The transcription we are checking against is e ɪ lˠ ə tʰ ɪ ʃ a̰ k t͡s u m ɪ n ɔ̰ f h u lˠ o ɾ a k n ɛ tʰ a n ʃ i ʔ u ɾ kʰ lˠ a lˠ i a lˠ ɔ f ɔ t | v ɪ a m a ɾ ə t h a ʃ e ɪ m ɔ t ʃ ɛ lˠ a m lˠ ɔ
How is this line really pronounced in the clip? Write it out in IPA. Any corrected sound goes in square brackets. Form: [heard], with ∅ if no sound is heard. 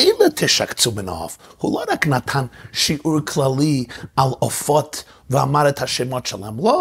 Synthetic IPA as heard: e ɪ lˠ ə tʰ ɪ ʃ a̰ k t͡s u m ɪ n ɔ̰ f h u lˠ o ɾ a k n [a] tʰ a n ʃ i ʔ u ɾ kʰ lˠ a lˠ i a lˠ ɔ f ɔ t | v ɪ a m a ɾ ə t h a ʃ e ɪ m ɔ t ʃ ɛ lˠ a m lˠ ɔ